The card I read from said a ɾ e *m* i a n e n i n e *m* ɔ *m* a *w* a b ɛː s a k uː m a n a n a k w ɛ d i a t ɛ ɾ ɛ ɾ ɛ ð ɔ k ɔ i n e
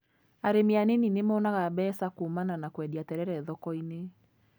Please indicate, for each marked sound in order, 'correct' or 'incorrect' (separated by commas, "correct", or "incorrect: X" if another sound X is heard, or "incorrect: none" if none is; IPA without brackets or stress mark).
correct, correct, incorrect: n, incorrect: ɣ